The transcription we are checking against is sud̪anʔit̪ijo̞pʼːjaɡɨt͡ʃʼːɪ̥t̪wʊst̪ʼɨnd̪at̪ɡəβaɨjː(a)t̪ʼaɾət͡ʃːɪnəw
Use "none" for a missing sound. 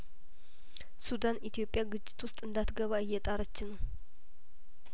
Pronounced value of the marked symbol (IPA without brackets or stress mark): ɛ